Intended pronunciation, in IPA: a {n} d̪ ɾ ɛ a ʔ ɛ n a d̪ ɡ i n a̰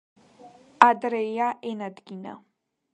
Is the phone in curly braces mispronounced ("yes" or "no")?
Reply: yes